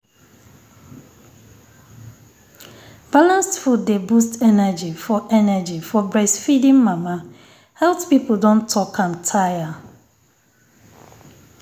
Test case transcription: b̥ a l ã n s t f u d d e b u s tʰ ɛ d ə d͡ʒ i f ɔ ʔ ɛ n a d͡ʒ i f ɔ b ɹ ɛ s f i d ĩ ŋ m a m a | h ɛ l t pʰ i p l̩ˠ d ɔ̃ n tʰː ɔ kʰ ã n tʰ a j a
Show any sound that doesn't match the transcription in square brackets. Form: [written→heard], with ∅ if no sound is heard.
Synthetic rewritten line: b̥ a l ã n s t f u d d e b u s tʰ ɛ [d→n] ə d͡ʒ i f ɔ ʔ ɛ n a d͡ʒ i f ɔ b ɹ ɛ s f i d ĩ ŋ m a m a | h ɛ l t [pʰ→p] i p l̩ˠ d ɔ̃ n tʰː ɔ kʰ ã n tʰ a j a